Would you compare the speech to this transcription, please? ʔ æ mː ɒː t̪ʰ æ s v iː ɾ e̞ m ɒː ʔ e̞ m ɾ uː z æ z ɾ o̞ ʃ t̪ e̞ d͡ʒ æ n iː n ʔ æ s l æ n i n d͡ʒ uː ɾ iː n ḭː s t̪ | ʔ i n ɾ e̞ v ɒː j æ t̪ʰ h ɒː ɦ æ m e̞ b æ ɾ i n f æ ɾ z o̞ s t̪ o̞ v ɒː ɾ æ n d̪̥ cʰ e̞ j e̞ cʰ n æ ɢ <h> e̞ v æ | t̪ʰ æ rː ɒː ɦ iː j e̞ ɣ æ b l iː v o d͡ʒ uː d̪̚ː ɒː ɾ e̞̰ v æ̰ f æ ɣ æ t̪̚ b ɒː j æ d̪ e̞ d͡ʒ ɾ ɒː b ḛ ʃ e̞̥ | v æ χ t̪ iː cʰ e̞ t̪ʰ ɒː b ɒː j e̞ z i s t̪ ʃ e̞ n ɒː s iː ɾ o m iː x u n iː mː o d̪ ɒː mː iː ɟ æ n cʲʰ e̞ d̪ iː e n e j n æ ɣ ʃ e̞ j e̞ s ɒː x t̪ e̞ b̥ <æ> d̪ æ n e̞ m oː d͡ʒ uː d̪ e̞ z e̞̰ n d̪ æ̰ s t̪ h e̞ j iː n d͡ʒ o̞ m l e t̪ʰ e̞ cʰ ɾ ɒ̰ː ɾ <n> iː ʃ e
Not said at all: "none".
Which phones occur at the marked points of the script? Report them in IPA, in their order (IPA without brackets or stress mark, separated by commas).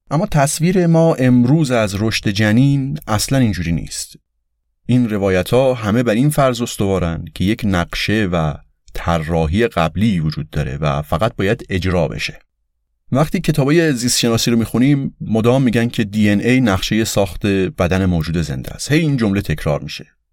ʃ, æ, m